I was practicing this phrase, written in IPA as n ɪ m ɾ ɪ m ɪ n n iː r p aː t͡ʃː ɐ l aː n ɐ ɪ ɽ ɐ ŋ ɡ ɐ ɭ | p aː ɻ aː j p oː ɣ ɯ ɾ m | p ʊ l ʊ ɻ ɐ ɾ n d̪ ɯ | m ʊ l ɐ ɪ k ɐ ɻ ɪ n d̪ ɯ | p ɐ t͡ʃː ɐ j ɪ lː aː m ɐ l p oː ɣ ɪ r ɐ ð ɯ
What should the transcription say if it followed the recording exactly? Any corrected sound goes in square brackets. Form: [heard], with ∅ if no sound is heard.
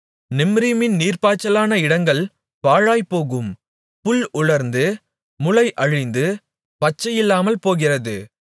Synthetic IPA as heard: n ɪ m ɾ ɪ m ɪ n n iː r p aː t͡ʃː ɐ l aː n ɐ ɪ ɽ ɐ ŋ ɡ ɐ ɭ | p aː ɻ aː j p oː ɣ ɯ [∅] m | p ʊ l ʊ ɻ ɐ ɾ n d̪ ɯ | m ʊ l ɐ ɪ [ʔ] ɐ ɻ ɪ n d̪ ɯ | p ɐ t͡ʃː ɐ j ɪ lː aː m ɐ l p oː ɣ ɪ r ɐ ð ɯ